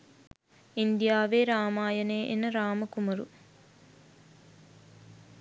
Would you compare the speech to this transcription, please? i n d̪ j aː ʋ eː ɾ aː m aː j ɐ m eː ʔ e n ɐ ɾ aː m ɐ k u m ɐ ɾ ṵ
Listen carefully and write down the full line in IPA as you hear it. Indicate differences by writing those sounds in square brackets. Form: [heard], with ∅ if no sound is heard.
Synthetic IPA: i n d̪ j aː ʋ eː ɾ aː m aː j ɐ [n] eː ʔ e n ɐ ɾ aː m ɐ k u m ɐ ɾ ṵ